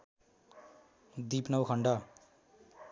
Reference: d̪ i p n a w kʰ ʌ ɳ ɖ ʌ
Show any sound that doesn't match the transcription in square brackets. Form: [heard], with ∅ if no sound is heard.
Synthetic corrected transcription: d̪ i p n [ʌ] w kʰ ʌ ɳ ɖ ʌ